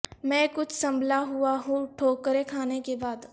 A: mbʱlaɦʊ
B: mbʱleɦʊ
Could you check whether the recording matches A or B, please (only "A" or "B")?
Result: A